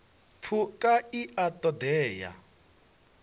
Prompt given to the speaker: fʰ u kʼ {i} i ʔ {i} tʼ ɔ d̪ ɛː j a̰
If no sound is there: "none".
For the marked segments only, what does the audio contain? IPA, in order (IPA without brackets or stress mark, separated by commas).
a, a